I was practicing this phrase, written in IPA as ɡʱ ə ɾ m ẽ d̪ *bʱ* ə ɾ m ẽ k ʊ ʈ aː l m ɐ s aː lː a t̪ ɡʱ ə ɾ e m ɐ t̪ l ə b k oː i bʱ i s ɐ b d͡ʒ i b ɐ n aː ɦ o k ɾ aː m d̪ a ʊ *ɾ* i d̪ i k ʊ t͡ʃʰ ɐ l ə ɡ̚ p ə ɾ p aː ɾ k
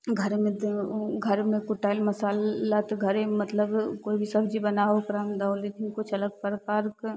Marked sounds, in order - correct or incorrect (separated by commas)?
incorrect, incorrect